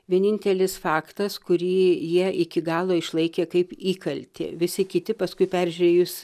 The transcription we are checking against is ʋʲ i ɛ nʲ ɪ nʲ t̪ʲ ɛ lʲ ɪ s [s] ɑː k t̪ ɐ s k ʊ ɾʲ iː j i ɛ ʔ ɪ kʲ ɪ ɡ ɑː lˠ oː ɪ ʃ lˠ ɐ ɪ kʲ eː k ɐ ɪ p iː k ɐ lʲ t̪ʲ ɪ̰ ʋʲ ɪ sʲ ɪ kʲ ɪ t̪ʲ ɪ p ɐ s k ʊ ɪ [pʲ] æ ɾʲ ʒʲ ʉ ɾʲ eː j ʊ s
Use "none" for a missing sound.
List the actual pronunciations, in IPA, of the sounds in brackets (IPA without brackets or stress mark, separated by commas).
f, pʲ